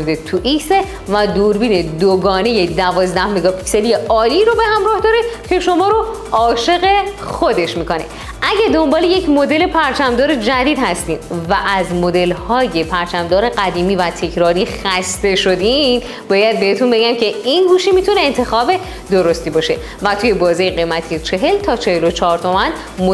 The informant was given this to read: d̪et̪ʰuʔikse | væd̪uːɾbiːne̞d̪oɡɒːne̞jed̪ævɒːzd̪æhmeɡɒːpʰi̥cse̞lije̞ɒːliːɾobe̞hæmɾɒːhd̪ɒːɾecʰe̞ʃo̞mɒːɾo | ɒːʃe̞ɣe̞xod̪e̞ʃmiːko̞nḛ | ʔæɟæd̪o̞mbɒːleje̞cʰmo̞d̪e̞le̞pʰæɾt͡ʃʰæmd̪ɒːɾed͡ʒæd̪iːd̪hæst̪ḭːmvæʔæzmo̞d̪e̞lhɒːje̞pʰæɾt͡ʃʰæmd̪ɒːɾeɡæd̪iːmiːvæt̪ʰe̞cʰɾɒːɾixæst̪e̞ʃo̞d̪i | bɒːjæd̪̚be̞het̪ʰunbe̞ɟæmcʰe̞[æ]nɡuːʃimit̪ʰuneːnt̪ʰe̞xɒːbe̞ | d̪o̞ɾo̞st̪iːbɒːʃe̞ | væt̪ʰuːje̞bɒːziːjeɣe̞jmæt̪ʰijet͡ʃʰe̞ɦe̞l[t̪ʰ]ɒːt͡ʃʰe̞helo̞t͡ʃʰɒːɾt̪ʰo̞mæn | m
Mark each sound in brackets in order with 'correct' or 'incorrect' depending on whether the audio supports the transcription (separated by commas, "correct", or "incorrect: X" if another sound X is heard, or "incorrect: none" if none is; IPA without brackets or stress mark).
incorrect: i, correct